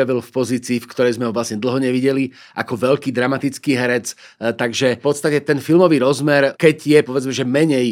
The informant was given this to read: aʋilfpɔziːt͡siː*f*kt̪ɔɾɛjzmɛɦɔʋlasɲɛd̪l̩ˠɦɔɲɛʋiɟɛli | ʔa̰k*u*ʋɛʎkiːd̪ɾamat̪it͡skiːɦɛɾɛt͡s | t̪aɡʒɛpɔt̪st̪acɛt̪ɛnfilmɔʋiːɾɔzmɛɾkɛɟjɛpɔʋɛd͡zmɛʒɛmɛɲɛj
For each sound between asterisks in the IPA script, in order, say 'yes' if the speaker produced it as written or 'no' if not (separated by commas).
yes, no